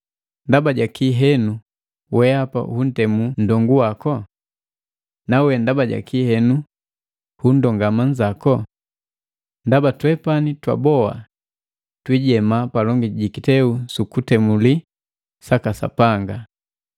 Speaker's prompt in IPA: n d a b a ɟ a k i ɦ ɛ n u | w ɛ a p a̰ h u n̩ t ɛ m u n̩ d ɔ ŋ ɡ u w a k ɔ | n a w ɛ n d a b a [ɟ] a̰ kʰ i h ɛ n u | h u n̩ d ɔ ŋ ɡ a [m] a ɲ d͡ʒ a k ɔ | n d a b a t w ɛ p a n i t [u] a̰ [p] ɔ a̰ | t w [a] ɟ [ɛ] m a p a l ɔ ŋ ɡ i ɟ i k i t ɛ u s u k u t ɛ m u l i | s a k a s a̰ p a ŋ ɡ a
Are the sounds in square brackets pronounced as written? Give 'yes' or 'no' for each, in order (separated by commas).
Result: yes, yes, no, no, no, yes